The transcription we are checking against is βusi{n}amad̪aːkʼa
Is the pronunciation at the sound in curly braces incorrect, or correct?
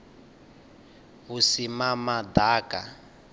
incorrect